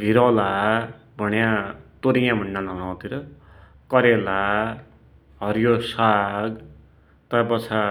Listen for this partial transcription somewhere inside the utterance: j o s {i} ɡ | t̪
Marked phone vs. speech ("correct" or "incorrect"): incorrect